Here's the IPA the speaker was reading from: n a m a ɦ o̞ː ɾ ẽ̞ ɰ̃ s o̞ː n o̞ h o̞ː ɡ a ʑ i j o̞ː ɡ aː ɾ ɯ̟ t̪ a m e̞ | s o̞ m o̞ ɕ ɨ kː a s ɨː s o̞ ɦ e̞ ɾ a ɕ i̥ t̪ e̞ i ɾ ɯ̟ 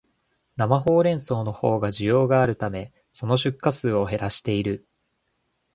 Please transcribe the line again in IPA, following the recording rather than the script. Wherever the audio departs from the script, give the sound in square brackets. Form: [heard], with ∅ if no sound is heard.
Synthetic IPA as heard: n a m a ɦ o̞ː ɾ ẽ̞ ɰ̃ s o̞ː n o̞ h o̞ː ɡ a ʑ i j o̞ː ɡ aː ɾ ɯ̟ t̪ a m e̞ | s o̞ [n] o̞ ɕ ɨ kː a s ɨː [∅] o̞ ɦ e̞ ɾ a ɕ i̥ t̪ e̞ i ɾ ɯ̟

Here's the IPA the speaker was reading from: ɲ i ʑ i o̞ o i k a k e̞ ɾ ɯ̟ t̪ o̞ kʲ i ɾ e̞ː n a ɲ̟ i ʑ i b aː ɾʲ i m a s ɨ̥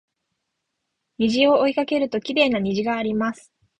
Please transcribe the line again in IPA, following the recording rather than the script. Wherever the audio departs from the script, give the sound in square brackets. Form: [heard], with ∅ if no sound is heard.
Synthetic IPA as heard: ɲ i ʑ i o̞ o i k a k e̞ ɾ ɯ̟ t̪ o̞ kʲ i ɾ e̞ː n a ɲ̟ i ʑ i [ɡ] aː ɾʲ i m a s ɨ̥

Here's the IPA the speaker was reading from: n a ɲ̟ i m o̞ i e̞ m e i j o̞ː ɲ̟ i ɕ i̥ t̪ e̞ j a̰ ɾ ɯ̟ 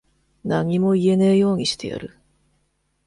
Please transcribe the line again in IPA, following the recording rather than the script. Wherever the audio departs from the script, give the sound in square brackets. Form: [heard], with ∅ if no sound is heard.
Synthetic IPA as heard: n a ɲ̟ i m o̞ i e̞ [n] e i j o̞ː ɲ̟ i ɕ i̥ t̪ e̞ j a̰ ɾ ɯ̟

